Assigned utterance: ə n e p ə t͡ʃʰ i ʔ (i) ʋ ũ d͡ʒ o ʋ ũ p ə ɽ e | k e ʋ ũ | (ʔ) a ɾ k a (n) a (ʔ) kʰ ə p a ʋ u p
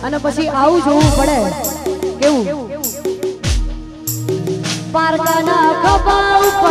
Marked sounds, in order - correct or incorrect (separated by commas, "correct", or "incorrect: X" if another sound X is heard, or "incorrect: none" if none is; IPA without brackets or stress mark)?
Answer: incorrect: a, incorrect: p, correct, incorrect: none